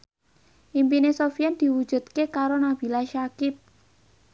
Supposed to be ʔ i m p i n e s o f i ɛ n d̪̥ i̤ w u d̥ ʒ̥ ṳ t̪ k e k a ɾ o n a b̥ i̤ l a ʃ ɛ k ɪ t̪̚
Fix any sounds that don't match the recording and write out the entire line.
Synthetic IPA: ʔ i m p i n e s o f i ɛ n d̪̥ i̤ w u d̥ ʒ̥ ṳ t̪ k e k a ɾ o n a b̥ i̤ l a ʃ a k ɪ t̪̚